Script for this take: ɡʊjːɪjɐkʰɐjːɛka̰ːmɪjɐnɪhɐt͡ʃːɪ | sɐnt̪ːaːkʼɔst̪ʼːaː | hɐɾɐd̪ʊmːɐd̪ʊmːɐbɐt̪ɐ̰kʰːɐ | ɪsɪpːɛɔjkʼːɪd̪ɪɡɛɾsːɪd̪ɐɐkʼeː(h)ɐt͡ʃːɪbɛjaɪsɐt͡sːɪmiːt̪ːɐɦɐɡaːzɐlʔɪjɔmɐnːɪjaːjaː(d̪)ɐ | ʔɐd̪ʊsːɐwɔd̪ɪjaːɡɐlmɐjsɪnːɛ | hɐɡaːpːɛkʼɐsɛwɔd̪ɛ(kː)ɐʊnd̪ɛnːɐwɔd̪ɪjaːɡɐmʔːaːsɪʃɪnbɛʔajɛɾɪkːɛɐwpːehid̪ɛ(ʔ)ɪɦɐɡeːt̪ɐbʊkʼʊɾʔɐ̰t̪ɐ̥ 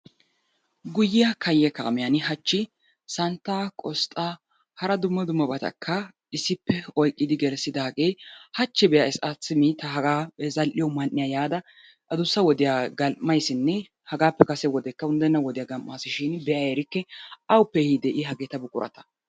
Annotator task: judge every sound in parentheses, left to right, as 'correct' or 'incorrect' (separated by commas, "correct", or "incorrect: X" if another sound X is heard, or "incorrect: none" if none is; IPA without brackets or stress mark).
correct, correct, correct, correct